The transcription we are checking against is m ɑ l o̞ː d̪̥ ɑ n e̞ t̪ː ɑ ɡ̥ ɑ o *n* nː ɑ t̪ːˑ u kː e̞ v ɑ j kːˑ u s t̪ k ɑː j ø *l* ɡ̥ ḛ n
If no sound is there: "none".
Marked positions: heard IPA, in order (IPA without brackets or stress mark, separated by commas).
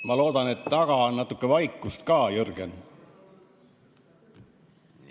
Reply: n, r